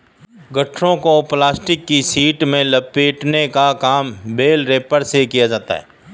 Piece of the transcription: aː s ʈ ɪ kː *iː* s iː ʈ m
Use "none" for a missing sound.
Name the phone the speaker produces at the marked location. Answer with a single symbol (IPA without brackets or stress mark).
i